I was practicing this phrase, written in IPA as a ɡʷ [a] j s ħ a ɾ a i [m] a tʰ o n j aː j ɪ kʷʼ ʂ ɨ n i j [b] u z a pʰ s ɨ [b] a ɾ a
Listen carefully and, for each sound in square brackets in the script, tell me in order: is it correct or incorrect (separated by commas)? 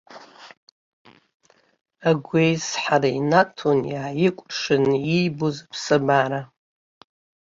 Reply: incorrect, incorrect, correct, correct